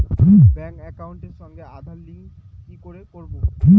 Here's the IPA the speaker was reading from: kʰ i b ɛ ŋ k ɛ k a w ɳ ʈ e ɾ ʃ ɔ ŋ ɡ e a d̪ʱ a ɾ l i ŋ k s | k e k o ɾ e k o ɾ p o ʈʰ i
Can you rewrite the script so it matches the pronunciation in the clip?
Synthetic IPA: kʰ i b ɛ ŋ k ɛ k a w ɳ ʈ e ɾ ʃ ɔ ŋ ɡ e a d̪ʱ a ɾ l i ŋ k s | k i k o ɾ e k o ɾ b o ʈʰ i